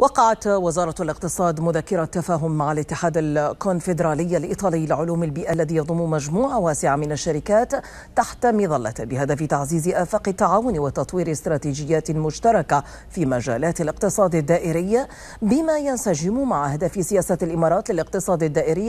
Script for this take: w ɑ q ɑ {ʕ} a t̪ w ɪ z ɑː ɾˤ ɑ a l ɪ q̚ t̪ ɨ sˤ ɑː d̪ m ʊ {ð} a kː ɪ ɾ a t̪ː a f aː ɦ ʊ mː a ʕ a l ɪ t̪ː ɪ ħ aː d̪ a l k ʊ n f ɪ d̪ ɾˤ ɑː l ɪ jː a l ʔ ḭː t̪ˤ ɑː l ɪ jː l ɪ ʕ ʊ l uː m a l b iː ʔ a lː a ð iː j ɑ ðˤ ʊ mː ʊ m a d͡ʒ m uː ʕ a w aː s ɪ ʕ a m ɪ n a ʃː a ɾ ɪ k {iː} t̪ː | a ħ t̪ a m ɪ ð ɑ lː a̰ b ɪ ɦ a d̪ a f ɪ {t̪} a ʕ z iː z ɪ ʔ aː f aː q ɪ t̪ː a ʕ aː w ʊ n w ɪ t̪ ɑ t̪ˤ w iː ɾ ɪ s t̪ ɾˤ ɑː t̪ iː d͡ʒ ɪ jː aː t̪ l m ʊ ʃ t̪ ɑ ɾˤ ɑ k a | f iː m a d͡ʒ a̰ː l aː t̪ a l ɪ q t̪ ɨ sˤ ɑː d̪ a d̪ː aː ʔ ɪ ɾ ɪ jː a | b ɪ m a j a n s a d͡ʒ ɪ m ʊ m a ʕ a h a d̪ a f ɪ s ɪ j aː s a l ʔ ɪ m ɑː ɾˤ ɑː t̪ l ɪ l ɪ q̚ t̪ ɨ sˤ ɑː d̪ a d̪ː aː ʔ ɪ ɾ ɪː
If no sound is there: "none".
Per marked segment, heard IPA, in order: ʕ, ð, aː, t̪

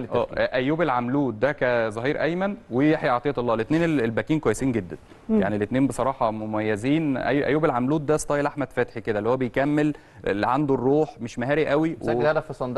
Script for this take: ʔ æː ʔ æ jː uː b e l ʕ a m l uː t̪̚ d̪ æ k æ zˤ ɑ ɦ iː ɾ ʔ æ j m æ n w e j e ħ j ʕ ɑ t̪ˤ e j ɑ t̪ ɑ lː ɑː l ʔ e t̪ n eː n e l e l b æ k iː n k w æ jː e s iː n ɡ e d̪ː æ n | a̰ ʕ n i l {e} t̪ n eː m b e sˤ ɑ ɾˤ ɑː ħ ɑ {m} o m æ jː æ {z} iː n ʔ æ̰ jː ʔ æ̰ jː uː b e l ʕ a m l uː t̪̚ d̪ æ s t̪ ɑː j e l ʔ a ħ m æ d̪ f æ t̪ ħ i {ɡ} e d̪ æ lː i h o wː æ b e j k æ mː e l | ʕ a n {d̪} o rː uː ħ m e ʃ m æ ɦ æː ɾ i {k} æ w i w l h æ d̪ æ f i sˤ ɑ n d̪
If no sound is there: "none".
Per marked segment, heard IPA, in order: e, m, z, k, d̪, ʔ

